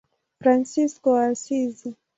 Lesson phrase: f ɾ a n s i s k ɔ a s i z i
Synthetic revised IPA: f ɾ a n s i s k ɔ a s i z i